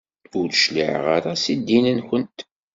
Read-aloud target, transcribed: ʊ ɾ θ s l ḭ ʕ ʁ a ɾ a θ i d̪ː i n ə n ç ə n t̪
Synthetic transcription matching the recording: ʊ ɾ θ ʃ l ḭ ʕ ʁ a ɾ a s i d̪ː i n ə n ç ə n t̪